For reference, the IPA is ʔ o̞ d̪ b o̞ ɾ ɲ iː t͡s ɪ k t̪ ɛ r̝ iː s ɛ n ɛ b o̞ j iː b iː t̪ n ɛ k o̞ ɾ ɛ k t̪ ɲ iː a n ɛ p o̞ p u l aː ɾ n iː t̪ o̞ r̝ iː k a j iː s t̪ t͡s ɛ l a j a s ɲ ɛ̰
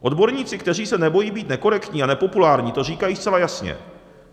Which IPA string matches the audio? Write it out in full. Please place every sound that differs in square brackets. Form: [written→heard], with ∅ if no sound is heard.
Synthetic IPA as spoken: ʔ o̞ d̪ b o̞ ɾ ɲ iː t͡s ɪ k t̪ ɛ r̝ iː s ɛ n ɛ b o̞ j iː b iː t̪ n ɛ k o̞ ɾ ɛ k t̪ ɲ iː a n ɛ p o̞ p u l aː ɾ [n→ɲ] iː t̪ o̞ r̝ iː k a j iː s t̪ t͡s ɛ l a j a s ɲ ɛ̰